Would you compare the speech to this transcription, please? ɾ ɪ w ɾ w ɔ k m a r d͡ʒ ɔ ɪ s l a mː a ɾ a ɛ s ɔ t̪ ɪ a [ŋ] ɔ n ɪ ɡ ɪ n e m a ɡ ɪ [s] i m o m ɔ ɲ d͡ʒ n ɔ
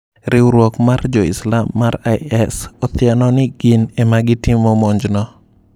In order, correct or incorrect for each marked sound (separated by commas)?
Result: incorrect, incorrect